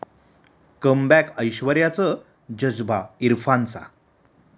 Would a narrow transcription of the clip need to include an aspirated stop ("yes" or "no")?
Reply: no